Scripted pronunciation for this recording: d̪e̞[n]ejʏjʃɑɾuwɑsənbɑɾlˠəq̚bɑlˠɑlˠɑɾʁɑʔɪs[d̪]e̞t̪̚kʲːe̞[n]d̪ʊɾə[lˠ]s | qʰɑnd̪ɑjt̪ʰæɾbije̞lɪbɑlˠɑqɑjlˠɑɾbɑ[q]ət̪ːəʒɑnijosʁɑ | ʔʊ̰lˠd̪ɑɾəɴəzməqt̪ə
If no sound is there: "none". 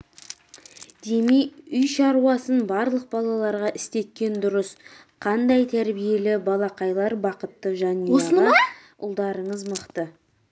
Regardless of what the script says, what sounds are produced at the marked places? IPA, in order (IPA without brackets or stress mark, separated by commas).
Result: m, t̪, n, none, q